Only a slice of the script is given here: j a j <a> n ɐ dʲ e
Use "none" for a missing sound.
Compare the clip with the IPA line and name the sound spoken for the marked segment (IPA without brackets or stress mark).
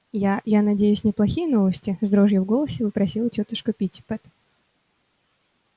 a